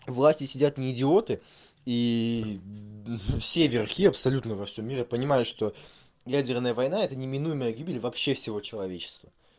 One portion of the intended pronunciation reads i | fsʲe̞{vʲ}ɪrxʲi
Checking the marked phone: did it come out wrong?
no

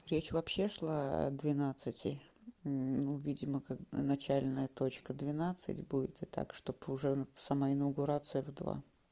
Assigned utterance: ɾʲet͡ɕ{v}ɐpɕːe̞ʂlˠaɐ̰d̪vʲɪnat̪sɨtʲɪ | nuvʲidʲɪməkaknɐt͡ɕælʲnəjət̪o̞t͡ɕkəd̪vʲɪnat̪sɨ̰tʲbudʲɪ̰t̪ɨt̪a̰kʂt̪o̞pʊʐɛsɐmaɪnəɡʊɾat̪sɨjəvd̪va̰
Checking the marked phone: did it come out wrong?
no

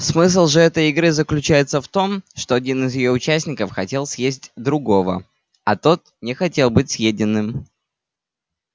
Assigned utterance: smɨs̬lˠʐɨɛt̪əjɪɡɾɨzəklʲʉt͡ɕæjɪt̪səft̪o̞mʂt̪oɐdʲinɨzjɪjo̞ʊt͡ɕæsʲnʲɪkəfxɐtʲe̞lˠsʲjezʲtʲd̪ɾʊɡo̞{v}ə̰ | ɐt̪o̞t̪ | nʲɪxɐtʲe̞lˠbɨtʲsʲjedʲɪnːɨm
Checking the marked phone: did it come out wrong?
no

